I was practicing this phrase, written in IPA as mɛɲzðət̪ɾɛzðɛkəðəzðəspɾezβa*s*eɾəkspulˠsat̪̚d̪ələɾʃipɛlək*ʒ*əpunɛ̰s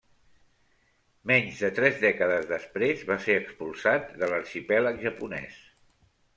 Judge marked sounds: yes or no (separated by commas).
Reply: yes, yes